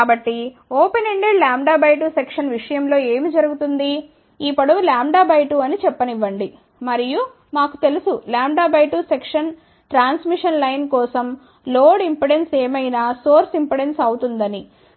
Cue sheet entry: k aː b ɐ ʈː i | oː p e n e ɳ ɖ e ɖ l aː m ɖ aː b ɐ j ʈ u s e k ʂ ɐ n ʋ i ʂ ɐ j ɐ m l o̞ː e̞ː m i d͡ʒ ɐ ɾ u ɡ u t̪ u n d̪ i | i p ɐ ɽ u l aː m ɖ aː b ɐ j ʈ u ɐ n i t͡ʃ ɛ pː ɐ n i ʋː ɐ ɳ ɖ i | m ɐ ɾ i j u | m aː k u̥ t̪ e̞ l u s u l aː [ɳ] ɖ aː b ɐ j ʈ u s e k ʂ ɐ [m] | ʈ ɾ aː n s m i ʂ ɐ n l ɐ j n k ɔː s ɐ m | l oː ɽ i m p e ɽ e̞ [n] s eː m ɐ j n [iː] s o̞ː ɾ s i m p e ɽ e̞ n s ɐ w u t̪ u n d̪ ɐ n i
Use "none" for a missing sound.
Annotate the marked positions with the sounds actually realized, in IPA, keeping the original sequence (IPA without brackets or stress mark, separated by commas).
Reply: m, n, n, aː